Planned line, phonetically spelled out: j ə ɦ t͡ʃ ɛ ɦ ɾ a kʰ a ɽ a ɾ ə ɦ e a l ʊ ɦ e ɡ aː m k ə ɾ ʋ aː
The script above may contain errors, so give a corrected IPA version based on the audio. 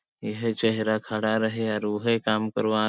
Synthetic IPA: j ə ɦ t͡ʃ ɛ ɦ ɾ a kʰ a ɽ a ɾ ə ɦ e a ɾ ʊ ɦ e k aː m k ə ɾ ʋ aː